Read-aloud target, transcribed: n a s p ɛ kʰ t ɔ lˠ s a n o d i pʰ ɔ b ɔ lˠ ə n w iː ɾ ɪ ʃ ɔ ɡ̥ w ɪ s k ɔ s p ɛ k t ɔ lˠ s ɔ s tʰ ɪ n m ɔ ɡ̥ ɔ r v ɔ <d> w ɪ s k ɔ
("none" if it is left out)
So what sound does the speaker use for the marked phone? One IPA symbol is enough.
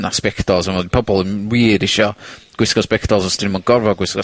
ɡ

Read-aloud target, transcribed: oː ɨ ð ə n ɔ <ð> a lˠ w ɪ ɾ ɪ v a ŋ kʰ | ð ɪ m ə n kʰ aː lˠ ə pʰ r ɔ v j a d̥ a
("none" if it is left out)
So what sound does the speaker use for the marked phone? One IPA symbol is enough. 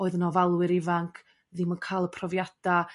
v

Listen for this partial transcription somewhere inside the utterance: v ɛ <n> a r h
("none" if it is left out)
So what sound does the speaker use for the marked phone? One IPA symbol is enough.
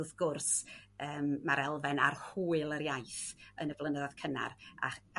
n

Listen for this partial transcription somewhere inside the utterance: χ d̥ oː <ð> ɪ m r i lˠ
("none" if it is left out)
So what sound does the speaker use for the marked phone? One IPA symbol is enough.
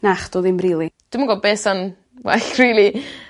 ð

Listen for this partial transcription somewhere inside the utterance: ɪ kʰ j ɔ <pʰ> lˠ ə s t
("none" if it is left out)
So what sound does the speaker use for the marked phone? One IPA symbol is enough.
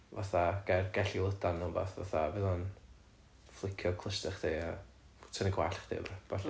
kʰ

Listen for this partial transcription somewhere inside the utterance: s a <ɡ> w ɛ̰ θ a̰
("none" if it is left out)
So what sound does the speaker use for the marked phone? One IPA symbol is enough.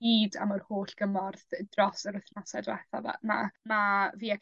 d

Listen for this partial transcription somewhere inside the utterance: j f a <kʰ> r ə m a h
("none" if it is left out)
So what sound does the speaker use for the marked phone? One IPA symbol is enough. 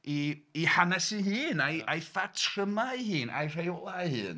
tʰ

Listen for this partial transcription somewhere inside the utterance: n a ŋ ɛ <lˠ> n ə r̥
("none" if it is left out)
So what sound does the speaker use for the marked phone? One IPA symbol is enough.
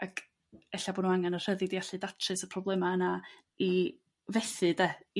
none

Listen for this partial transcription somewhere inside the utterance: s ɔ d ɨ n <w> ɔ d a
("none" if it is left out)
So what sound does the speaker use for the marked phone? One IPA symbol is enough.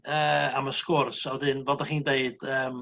v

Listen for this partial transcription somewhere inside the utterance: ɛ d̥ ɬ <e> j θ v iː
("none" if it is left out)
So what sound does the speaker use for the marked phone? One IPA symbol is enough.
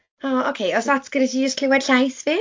a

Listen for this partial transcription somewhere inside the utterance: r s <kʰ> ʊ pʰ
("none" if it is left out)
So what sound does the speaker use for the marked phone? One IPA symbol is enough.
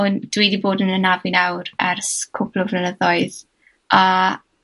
kʰ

